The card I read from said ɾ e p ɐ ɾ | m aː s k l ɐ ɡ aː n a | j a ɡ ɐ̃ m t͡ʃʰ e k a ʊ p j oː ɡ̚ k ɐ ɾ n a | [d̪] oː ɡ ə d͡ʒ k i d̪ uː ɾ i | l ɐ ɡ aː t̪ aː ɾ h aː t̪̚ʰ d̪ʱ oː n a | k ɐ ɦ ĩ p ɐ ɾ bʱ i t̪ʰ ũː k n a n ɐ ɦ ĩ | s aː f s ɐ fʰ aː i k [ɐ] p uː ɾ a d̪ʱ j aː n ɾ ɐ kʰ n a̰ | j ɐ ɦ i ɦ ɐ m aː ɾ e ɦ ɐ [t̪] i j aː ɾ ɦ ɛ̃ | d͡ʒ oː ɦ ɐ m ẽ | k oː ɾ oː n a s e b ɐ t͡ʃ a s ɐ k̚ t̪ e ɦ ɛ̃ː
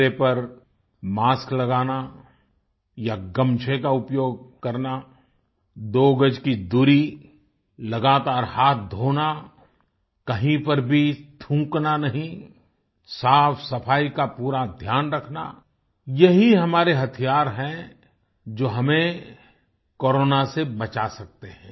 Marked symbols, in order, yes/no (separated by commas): yes, no, no